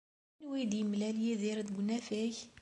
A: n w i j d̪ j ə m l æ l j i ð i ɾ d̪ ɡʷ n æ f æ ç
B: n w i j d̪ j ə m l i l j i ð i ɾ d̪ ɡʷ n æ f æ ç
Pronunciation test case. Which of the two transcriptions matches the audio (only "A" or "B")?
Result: A